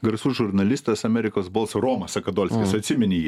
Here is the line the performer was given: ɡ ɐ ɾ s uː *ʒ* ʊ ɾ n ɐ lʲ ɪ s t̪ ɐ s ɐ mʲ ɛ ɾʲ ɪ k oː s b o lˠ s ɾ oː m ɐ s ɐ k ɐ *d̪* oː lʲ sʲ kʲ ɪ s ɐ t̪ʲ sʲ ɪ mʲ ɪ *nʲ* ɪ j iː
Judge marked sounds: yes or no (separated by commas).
yes, yes, yes